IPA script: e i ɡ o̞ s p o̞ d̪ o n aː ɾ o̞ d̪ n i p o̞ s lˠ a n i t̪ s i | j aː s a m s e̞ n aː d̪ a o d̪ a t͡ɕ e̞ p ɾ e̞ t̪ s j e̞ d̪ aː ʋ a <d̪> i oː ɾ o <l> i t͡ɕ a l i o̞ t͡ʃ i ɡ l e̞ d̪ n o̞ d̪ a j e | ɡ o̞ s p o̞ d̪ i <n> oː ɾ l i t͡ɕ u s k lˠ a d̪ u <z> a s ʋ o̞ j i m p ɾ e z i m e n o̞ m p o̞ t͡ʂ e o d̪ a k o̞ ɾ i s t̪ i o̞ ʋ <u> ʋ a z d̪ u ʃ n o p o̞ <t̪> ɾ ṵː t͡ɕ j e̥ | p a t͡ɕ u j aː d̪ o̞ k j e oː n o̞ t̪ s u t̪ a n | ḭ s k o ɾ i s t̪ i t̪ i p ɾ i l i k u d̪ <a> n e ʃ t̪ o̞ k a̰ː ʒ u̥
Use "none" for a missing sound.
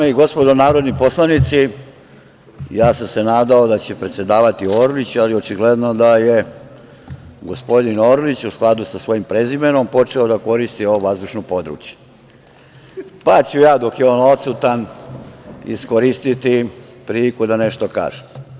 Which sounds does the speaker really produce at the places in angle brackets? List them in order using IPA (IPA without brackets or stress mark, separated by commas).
t̪, l, n, s, o, d̪, a